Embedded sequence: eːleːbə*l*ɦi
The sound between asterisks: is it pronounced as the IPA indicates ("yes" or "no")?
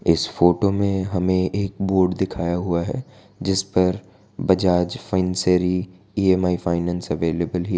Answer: yes